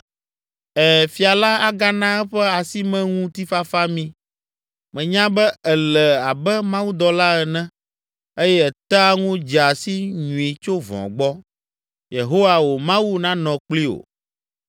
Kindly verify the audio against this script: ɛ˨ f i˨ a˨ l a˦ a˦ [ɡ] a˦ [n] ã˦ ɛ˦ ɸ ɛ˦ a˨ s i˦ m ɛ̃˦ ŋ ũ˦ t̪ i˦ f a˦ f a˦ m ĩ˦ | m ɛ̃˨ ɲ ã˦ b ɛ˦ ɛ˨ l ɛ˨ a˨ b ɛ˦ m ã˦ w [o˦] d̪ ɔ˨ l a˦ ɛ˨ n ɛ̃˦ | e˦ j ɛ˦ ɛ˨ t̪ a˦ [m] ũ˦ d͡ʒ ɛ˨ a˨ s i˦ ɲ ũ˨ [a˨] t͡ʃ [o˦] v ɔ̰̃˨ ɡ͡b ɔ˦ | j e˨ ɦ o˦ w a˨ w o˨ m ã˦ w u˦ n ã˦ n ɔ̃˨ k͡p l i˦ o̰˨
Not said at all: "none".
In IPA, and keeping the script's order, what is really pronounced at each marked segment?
ɡ, n, u˦, ŋ, i˨, o˦

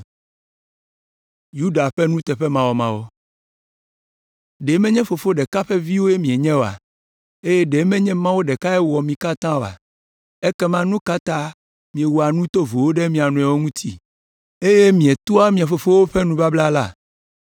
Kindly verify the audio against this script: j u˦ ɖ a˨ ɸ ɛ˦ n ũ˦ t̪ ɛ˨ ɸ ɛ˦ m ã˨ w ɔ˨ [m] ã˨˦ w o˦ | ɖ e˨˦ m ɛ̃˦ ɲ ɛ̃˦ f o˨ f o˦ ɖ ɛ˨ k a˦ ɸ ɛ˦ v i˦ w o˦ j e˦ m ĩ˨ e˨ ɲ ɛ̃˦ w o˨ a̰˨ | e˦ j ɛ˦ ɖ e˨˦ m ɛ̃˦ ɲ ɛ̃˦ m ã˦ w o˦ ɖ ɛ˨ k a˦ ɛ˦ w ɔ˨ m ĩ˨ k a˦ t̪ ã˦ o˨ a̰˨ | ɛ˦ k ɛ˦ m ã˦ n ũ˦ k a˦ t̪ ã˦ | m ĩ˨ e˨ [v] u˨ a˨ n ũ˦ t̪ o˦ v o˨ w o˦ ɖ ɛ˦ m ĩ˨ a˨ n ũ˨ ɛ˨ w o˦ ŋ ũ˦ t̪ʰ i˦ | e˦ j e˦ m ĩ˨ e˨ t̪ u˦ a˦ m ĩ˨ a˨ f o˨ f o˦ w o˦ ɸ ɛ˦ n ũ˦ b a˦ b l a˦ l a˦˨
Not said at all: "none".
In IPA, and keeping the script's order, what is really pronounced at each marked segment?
m, w

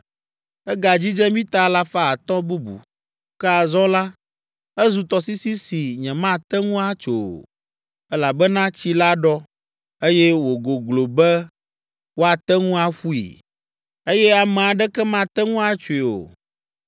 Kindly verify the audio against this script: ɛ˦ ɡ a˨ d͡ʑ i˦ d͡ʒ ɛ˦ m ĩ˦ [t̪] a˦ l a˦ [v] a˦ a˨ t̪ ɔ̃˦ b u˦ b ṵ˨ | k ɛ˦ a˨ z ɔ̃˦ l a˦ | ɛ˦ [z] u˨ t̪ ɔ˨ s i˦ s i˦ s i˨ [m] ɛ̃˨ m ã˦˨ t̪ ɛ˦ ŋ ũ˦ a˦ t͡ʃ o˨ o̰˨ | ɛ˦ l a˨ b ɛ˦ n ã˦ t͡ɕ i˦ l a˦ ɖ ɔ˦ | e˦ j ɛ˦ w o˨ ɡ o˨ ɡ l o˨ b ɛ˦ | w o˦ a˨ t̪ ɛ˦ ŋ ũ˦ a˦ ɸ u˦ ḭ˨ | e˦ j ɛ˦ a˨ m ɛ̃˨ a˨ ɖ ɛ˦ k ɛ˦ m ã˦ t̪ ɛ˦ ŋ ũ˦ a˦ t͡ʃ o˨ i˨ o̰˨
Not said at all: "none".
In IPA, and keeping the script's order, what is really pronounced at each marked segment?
t̪, f, z, ɲ

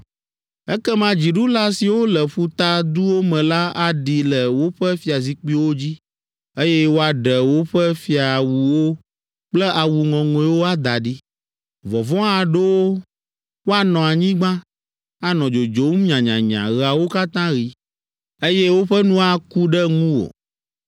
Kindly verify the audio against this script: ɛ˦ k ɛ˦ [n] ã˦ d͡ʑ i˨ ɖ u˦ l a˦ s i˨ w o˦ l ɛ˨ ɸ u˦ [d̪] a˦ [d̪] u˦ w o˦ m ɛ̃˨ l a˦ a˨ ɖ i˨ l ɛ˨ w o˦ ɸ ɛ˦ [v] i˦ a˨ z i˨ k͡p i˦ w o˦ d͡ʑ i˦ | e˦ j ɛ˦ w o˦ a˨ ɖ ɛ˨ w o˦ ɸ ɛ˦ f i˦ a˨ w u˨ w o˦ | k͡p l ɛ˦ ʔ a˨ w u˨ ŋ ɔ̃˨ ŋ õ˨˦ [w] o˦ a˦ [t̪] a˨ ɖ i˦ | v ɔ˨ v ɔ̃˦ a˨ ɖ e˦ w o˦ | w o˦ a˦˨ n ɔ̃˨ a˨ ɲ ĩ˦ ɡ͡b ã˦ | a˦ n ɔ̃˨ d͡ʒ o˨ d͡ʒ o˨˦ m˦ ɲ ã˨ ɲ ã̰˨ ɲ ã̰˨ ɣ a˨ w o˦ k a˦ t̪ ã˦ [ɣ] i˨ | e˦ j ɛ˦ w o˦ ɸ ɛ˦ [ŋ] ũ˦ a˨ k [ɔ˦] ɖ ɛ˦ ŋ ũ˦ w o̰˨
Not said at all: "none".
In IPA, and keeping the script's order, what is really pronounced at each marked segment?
m, t̪, d̪, f, w, d̪, ɣ, n, u˦

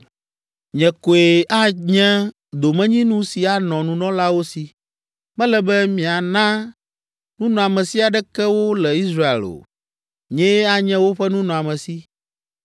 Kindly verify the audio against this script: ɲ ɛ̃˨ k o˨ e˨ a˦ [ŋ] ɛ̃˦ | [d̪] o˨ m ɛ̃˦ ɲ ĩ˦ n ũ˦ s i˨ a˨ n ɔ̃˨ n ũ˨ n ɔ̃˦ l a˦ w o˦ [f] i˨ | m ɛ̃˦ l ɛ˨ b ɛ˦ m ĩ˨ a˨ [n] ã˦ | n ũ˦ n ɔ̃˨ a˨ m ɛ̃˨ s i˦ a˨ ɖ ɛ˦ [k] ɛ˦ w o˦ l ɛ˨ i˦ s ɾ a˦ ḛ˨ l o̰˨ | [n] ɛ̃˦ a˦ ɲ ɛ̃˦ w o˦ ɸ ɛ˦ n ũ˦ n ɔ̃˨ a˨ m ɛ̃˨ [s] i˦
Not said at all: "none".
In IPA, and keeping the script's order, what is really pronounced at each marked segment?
ɲ, d̪, s, n, k, ɲ, s

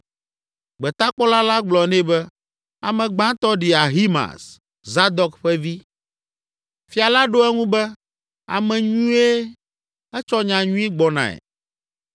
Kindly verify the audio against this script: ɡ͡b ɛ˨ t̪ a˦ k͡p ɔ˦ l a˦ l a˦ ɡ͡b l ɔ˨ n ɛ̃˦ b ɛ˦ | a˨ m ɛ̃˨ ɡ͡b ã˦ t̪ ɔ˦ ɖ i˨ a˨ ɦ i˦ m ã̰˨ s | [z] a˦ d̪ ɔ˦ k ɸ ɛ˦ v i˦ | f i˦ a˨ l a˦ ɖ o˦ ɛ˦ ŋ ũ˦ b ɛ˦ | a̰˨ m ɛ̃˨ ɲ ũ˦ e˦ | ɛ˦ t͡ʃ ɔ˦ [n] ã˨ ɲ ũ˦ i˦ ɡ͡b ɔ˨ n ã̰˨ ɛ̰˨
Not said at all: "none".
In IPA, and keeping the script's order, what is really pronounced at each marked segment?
z, ɲ

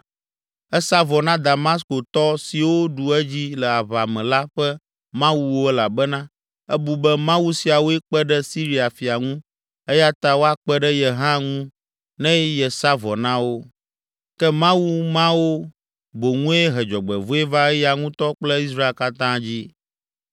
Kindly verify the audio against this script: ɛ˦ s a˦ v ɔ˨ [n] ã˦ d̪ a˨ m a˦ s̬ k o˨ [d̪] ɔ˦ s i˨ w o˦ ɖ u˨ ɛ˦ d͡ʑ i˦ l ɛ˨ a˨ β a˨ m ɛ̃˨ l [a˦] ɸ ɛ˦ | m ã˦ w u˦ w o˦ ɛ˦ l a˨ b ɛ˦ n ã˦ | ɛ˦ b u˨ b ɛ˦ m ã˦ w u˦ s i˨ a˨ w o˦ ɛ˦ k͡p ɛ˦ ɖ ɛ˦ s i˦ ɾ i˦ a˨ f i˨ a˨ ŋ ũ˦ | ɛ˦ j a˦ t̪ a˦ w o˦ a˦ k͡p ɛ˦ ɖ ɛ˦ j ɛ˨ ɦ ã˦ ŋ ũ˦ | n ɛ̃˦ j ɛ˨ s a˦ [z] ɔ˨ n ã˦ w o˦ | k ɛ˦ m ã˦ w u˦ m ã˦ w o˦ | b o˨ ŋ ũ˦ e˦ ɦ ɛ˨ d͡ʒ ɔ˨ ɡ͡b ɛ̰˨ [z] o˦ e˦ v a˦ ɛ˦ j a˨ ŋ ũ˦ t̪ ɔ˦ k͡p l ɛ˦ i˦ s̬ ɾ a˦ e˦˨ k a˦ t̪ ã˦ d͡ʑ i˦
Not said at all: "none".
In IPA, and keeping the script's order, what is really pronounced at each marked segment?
n, t̪, a˦, v, v

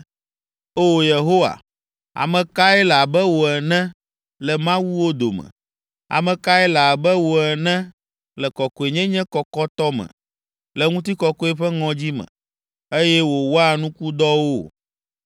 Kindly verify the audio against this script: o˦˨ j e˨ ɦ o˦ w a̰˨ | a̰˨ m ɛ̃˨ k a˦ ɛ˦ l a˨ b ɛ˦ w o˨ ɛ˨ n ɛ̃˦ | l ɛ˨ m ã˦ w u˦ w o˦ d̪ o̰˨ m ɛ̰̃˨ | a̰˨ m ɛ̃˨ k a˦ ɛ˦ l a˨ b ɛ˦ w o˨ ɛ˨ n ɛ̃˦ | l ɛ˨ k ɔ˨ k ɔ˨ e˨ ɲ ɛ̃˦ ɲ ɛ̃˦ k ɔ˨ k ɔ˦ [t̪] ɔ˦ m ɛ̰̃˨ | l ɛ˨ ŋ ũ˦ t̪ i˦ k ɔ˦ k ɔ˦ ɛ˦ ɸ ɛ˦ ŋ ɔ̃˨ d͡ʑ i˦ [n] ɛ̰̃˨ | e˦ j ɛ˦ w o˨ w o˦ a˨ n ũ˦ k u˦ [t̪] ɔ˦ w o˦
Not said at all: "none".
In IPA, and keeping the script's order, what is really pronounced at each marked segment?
t̪, m, d̪

